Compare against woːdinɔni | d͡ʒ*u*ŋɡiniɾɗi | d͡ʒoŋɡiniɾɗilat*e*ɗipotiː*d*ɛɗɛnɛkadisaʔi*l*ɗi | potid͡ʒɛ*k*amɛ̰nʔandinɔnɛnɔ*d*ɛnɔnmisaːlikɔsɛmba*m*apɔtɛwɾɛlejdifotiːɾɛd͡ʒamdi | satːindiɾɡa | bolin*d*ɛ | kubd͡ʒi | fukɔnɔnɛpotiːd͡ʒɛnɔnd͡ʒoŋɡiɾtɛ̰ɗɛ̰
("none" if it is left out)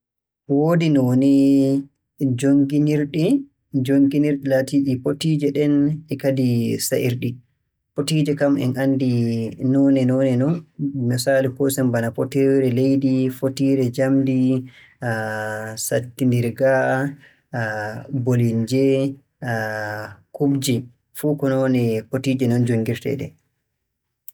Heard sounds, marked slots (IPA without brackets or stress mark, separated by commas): o, i, d͡ʒ, ɾ, k, n, n, d͡ʒ